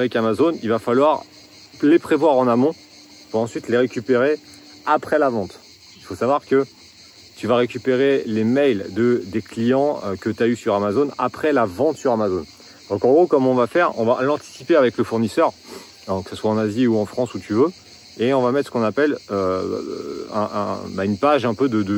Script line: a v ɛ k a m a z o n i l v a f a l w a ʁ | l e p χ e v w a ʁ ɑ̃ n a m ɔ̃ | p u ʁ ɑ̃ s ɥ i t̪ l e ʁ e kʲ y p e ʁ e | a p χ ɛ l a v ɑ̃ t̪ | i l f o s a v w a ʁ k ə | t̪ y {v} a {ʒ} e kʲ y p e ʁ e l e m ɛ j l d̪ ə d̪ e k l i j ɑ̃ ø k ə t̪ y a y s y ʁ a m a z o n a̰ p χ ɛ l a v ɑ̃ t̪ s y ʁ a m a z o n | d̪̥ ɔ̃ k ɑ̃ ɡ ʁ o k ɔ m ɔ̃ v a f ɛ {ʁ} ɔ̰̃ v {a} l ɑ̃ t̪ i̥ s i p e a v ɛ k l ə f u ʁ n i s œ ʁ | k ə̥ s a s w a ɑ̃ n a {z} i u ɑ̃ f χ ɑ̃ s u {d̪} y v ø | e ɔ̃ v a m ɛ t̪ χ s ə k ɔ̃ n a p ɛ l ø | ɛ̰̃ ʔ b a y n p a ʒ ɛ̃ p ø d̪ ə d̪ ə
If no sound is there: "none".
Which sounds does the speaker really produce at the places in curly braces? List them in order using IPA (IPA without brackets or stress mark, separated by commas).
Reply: v, ʁ, ʁ, a, z, t̪